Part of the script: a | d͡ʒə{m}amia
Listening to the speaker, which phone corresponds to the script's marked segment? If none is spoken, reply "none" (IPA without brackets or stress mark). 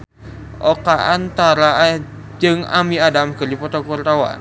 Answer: ŋ